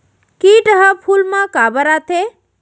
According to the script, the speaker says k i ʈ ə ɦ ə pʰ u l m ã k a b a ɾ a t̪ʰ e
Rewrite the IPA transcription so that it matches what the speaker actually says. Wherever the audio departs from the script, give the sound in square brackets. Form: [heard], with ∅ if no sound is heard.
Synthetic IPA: k i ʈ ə ɦ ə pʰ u l m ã k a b [ə] ɾ a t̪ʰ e